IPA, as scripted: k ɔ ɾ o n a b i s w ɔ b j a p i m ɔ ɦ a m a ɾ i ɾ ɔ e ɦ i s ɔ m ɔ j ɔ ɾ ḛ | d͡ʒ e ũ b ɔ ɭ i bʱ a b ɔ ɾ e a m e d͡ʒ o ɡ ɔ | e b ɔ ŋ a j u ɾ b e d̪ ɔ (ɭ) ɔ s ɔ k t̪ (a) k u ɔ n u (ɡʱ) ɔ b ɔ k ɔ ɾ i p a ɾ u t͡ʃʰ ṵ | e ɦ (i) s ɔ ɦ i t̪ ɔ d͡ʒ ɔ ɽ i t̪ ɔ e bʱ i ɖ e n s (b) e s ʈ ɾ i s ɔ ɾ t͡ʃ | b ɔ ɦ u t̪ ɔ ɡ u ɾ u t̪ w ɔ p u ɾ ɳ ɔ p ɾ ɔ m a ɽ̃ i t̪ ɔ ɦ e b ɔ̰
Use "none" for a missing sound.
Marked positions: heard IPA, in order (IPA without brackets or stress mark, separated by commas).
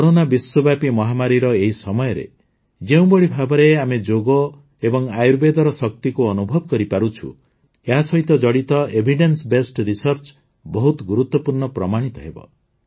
ɾ, i, bʱ, a, b